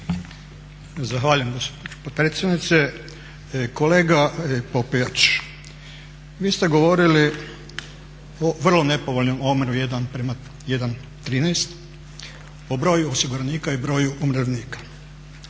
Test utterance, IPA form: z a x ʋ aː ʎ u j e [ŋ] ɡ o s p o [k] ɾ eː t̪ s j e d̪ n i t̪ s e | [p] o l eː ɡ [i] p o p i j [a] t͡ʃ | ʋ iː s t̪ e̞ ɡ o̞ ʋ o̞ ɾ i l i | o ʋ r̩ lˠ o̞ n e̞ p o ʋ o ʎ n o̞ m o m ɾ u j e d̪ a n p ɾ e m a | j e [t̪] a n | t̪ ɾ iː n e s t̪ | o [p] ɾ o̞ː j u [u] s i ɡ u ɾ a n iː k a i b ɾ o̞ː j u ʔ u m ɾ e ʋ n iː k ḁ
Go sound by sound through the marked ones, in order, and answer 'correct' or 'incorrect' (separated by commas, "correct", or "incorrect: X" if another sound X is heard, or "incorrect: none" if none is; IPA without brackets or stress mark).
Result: incorrect: m, incorrect: p, incorrect: k, incorrect: a, correct, incorrect: d̪, incorrect: b, incorrect: o